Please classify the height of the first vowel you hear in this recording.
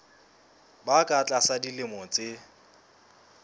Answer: low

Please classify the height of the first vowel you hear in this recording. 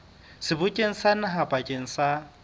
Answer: high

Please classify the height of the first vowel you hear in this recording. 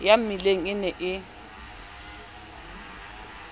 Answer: low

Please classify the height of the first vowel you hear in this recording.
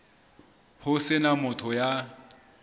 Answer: high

